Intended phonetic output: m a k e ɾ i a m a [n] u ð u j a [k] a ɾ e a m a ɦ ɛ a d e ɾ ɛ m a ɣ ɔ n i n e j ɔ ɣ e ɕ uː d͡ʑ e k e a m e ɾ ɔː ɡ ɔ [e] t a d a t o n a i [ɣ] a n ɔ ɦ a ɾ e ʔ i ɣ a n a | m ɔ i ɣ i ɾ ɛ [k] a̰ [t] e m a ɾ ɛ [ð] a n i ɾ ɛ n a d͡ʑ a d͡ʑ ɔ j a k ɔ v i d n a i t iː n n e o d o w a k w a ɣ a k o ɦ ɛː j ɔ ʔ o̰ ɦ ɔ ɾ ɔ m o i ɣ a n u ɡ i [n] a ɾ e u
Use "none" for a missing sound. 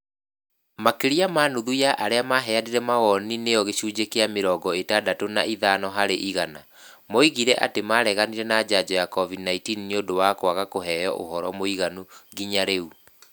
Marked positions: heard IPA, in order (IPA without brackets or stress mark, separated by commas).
n, ʔ, e, ð, ʔ, t, ɣ, ɲ